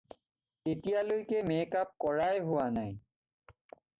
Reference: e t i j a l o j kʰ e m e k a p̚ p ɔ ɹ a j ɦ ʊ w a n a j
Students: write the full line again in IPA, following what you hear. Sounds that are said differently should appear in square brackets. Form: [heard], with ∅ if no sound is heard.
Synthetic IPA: e t i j a l o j [k] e m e k a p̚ [k] ɔ ɹ a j ɦ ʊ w a n a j